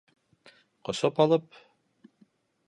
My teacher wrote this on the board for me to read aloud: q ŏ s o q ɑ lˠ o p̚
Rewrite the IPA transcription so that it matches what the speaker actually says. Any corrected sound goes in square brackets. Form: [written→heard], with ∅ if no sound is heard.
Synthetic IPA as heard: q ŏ s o [q→p] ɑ lˠ [o→ɤ] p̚

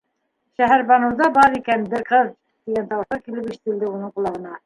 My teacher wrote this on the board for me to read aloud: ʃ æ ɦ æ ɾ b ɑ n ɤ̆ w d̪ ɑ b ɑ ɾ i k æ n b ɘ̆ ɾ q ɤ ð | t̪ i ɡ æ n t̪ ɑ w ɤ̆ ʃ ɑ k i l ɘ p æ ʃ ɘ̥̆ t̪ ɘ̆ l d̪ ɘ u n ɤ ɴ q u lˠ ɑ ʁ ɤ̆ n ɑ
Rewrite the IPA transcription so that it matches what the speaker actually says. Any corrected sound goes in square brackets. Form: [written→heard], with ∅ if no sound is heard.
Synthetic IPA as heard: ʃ æ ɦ æ ɾ b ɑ n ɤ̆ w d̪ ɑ b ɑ ɾ i k æ n b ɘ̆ ɾ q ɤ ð | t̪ i ɡ æ n t̪ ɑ w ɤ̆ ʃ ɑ k i l ɘ p [æ→i] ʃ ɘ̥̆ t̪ ɘ̆ l d̪ ɘ u n ɤ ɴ q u lˠ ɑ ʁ ɤ̆ n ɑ

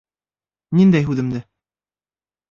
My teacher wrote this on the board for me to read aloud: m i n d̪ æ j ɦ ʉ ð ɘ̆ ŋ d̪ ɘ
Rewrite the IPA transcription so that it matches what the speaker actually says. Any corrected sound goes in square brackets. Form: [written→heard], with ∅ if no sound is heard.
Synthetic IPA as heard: [m→n] i n d̪ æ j ɦ ʉ ð ɘ̆ [ŋ→m] d̪ ɘ

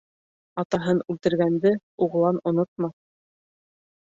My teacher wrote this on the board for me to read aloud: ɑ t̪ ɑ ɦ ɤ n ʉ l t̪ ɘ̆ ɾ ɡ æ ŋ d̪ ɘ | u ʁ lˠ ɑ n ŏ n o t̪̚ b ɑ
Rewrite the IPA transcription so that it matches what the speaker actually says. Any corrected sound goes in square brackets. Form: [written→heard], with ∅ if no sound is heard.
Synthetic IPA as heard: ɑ t̪ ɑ ɦ ɤ n ʉ l t̪ ɘ̆ ɾ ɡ æ [ŋ→n] d̪ ɘ | u ʁ lˠ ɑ n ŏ n o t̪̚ [b→m] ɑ

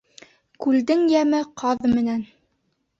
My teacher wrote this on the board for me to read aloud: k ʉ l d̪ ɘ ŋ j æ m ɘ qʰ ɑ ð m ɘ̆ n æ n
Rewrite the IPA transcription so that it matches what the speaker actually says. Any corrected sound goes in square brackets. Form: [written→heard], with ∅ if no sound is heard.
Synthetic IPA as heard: k ʉ l d̪ ɘ ŋ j æ m ɘ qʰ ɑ ð m ɘ̆ n æ n

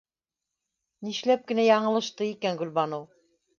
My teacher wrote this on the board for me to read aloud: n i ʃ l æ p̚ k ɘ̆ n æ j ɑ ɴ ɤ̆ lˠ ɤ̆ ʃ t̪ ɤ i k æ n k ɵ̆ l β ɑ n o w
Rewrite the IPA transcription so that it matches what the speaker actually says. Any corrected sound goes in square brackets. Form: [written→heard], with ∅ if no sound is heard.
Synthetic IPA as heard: n i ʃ l æ p̚ k ɘ̆ n æ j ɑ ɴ ɤ̆ lˠ ɤ̆ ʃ t̪ ɤ i k æ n [k→ɡ] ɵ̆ l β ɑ n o w

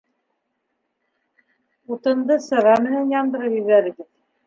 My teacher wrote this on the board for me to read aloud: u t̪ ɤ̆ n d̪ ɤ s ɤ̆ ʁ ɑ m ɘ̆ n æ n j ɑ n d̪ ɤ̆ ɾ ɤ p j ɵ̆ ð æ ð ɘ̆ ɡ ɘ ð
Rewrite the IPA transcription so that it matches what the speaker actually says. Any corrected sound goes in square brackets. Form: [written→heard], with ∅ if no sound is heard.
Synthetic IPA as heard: u t̪ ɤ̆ n d̪ ɤ s ɤ̆ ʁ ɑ m ɘ̆ n æ n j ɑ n d̪ ɤ̆ ɾ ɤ p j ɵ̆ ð æ ð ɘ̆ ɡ ɘ ð

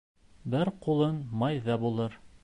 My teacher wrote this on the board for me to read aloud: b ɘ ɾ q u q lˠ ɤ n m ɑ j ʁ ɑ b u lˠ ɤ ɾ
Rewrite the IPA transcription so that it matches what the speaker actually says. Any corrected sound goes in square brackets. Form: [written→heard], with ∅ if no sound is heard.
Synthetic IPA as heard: b ɘ ɾ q u [q→∅] lˠ ɤ n m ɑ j [ʁ→ð] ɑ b u lˠ ɤ ɾ

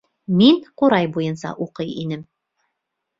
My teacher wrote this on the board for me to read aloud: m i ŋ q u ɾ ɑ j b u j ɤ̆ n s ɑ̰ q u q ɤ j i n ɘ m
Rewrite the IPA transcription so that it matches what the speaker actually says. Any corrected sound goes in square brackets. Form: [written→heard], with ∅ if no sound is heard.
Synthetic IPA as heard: m i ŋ q u ɾ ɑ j b u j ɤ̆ n s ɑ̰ [q→ʔ] u q ɤ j i n ɘ m

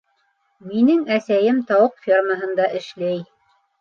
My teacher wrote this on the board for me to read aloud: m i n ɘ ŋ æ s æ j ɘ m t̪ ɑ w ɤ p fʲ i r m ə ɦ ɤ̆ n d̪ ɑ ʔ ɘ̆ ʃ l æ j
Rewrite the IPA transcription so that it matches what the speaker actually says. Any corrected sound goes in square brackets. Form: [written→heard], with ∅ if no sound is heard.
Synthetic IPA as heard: m i n ɘ ŋ æ s æ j ɘ m t̪ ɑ w ɤ [p→q] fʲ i r m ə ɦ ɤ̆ n d̪ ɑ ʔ ɘ̆ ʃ l æ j

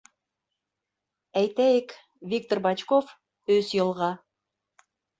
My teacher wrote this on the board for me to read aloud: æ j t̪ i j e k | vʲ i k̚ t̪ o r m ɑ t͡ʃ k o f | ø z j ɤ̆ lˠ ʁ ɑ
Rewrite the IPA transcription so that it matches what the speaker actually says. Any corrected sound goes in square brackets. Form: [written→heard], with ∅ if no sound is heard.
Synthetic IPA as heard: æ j t̪ [i→æ] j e k | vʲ i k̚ t̪ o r [m→b] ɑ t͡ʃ k o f | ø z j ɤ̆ lˠ ʁ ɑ

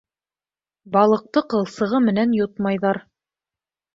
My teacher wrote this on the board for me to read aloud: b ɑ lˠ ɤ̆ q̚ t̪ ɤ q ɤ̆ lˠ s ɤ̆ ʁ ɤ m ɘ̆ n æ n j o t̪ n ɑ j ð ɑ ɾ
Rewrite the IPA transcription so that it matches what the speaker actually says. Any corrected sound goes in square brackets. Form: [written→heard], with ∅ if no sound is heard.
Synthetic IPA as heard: b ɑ lˠ ɤ̆ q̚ t̪ ɤ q ɤ̆ lˠ s ɤ̆ ʁ ɤ m ɘ̆ n æ n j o t̪ [n→m] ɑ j ð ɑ ɾ

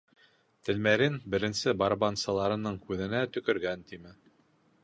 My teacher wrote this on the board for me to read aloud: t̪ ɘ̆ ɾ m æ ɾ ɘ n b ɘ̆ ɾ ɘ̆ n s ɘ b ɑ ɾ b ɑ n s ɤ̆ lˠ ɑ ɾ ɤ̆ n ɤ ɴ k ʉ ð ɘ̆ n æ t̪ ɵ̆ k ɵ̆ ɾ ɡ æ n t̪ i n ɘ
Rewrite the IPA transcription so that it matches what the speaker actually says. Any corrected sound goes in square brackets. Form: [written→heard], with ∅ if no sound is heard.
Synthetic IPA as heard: t̪ ɘ̆ [ɾ→l] m æ ɾ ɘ n b ɘ̆ ɾ ɘ̆ n s ɘ b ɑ ɾ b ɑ n s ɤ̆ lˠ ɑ ɾ ɤ̆ n ɤ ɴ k ʉ ð ɘ̆ n æ t̪ ɵ̆ k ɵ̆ ɾ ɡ æ n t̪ i [n→m] ɘ

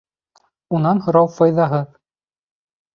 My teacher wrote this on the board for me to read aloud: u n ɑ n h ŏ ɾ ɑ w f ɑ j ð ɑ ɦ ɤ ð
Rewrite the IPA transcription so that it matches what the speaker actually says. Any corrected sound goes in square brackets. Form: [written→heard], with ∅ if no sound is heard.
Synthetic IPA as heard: u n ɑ n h ŏ ɾ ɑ w f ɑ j ð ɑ ɦ ɤ ð

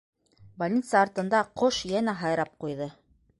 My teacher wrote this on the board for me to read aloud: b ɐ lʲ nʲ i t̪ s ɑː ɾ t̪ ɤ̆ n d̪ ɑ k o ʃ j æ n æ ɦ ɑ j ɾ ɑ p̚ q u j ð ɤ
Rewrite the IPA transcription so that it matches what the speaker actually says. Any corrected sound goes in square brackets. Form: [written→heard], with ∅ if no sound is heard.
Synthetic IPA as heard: b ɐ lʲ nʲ i t̪ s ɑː ɾ t̪ ɤ̆ n d̪ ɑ [k→q] o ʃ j æ n æ ɦ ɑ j ɾ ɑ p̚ q u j ð ɤ

